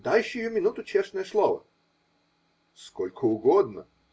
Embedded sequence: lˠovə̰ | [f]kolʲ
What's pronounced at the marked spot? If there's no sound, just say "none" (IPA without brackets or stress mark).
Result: s